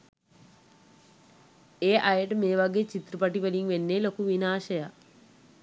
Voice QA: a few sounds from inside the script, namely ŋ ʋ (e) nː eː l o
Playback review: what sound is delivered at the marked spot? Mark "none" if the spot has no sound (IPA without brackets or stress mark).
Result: e